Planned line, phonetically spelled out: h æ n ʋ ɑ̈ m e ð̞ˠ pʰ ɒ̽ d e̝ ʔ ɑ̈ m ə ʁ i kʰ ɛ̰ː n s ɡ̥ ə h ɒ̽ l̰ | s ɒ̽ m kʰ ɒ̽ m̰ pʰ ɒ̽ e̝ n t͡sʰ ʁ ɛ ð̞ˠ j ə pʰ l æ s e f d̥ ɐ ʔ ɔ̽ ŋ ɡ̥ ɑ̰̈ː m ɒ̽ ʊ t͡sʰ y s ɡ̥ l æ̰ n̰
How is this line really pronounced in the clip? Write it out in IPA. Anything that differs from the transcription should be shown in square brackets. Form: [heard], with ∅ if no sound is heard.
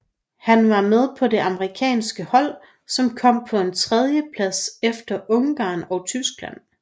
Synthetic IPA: h æ n ʋ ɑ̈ m e ð̞ˠ pʰ ɒ̽ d e̝ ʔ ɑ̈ m ə ʁ i kʰ ɛ̰ː n s ɡ̥ ə h ɒ̽ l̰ | s ɒ̽ m kʰ ɒ̽ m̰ pʰ ɒ̽ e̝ n t͡sʰ ʁ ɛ ð̞ˠ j ə pʰ l æ s e f d̥ ɐ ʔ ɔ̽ ŋ ɡ̥ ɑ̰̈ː [n] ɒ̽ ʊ t͡sʰ y s ɡ̥ l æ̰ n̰

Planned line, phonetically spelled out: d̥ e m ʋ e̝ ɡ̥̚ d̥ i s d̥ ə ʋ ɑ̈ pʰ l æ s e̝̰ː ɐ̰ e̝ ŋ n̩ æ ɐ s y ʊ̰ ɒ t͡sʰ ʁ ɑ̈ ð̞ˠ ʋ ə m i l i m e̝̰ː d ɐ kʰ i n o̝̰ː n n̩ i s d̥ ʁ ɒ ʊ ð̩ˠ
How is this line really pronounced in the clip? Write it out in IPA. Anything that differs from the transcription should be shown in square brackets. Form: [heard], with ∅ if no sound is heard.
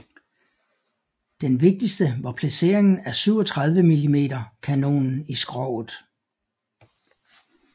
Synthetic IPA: d̥ e [n] ʋ e̝ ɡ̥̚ d̥ i s d̥ ə ʋ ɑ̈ pʰ l æ s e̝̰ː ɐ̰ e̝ ŋ n̩ æ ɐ s y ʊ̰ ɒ t͡sʰ ʁ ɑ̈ ð̞ˠ ʋ ə m i l i m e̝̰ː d ɐ kʰ [æ] n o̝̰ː n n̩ i s [ɡ̥] ʁ ɒ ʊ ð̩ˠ

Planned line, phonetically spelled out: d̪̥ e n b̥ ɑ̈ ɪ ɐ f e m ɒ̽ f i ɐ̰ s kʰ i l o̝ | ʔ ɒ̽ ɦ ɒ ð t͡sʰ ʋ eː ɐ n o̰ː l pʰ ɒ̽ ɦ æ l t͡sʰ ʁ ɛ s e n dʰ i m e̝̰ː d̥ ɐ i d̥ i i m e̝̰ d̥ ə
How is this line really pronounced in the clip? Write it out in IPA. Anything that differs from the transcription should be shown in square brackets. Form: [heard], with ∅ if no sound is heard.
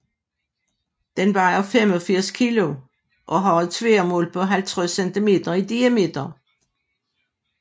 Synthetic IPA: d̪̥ e n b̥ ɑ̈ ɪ ɐ f e m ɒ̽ f i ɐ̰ s kʰ i l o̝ | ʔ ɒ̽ ɦ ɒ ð t͡sʰ ʋ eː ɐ [m] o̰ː l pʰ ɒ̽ ɦ æ l t͡sʰ ʁ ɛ s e n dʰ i m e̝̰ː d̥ ɐ i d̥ i [æ] m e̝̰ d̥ [ɐ]

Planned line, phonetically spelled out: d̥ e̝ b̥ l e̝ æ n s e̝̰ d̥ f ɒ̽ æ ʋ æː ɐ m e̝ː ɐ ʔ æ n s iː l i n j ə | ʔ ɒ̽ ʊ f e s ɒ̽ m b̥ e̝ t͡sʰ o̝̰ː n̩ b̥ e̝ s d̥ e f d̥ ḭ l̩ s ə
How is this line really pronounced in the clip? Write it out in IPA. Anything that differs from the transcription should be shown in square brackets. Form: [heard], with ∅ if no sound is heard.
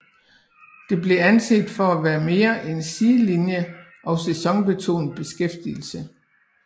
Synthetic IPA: d̥ e̝ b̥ l e̝ æ n s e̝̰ d̥ f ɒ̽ æ ʋ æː ɐ m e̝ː ɐ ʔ [e] n s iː l i n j ə | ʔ ɒ̽ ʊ [s] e s ɒ̽ [ŋ] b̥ e̝ t͡sʰ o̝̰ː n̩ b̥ e̝ s [ɡ̥] e f d̥ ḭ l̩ s ə

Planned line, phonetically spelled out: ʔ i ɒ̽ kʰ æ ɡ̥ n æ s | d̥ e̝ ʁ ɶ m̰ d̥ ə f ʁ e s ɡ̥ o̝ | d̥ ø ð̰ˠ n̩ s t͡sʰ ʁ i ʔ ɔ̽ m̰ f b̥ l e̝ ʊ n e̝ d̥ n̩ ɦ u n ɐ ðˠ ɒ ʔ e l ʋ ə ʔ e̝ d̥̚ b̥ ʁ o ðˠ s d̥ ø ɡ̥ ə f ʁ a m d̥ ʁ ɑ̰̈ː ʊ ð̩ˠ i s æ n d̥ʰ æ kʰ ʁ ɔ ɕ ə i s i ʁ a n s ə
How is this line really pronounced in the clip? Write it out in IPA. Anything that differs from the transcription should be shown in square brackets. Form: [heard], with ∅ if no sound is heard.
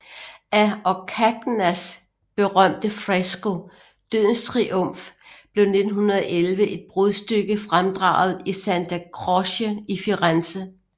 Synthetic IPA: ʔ [æ] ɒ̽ kʰ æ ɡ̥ n æ s | [b̥] e̝ ʁ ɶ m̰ d̥ ə f ʁ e s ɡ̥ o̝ | d̥ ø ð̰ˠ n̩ s t͡sʰ ʁ i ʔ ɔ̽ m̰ f b̥ l e̝ ʊ n e̝ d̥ n̩ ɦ u n ɐ ðˠ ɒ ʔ e l ʋ ə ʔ e̝ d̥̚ b̥ ʁ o ðˠ s d̥ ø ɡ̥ ə f ʁ a m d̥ ʁ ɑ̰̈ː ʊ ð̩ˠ i s æ n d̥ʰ æ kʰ ʁ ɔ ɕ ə i [f] i ʁ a n s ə

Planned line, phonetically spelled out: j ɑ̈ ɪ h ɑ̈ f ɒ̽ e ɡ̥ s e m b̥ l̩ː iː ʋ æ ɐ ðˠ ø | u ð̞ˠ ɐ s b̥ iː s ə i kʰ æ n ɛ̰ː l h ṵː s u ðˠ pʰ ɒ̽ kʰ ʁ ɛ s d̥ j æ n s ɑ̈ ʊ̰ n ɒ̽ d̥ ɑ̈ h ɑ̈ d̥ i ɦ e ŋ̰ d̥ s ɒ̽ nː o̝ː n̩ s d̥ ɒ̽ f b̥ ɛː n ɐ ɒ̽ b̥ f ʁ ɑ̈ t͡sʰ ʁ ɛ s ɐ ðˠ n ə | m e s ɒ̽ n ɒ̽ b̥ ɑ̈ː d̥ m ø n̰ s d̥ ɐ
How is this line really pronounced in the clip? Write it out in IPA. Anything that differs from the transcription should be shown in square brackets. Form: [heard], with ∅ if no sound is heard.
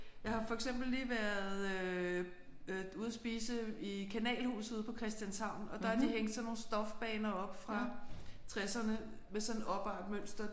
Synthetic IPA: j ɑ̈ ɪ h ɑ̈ f ɒ̽ e ɡ̥ s e m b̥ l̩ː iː ʋ æ ɐ ðˠ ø | u ð̞ˠ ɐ s b̥ iː s ə i kʰ æ n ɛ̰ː l h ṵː s u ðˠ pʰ ɒ̽ kʰ ʁ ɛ s d̥ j æ n s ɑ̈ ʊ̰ n ɒ̽ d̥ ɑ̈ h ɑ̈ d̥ i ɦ e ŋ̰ d̥ s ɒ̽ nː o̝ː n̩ s d̥ ɒ̽ f b̥ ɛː n ɐ ɒ̽ b̥ f ʁ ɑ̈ t͡sʰ ʁ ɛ s ɐ [∅] n ə | m e s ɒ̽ n ɒ̽ b̥ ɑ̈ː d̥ m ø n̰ s d̥ ɐ

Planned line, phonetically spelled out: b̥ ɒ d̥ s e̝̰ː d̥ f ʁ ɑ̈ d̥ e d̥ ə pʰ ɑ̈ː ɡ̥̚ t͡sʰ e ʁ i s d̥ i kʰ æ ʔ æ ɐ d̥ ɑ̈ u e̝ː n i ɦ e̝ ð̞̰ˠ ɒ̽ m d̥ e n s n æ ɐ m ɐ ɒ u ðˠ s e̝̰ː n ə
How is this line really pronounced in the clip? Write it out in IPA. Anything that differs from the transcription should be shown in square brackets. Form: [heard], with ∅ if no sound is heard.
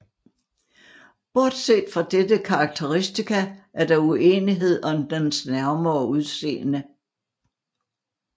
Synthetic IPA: b̥ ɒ d̥ s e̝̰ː d̥ f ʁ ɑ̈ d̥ e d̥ ə [kʰ] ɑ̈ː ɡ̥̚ t͡sʰ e ʁ i s d̥ i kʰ æ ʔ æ ɐ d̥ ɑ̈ u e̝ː n i ɦ e̝ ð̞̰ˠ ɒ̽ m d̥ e n s n æ ɐ m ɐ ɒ u ðˠ s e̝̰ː n ə

